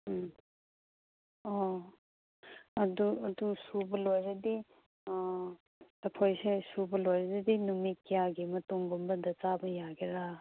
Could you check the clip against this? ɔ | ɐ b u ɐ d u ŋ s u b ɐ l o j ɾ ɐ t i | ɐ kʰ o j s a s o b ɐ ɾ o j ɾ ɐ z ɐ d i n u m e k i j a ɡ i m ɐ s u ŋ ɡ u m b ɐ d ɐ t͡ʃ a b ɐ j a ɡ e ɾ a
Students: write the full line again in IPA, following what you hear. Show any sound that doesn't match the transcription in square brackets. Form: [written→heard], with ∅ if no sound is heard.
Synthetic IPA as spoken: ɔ | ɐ [b→d] u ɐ d u [ŋ→∅] s u b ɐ l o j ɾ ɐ [t→d] i | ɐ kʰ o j s [a→e] s [o→u] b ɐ [ɾ→l] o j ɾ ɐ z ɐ d i n u m [e→i] k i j a ɡ i m ɐ [s→t] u ŋ ɡ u m b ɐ d ɐ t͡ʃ a b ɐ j a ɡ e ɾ a